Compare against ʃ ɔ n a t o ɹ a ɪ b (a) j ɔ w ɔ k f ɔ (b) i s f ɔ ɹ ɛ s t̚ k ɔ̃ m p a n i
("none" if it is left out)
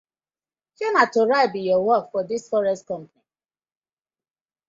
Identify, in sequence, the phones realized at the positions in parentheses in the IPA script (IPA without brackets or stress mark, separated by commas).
i, d